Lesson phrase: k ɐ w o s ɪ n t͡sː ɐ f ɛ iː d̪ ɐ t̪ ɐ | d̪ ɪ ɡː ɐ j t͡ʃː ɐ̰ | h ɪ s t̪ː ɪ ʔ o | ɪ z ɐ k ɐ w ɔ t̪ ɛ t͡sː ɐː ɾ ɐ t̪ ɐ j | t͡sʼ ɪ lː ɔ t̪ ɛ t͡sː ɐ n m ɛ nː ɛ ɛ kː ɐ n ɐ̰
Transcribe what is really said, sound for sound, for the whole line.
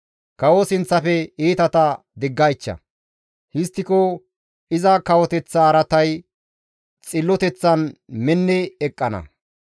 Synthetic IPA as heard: k ɐ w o s ɪ n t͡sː ɐ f ɛ iː t̪ ɐ t̪ ɐ | d̪ ɪ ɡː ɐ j t͡ʃː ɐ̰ | h ɪ s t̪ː ɪ k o | ɪ z ɐ k ɐ w ɔ t̪ ɛ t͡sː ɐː ɾ ɐ t̪ ɐ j | t͡sʼ ɪ lː ɔ t̪ ɛ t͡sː ɐ n m ɛ nː ɛ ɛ kʼː ɐ n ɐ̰